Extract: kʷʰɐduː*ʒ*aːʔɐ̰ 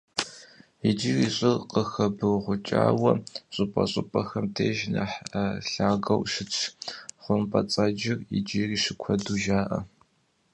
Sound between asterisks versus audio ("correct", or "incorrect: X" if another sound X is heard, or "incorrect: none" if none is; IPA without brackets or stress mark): correct